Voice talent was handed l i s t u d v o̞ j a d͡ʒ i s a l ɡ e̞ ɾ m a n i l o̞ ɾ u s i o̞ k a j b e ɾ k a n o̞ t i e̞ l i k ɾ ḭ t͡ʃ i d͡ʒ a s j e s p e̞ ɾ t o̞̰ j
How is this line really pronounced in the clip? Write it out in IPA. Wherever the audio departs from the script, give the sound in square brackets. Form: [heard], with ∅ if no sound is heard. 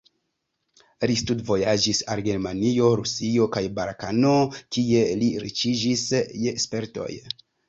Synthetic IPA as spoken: l i s t u d v o̞ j a d͡ʒ i s a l ɡ e̞ ɾ m a n i [∅] o̞ ɾ u s i o̞ k a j b [a] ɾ k a n o̞ [k] i e̞ l i [∅] ɾ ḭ t͡ʃ i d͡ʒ [i] s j e s p e̞ ɾ t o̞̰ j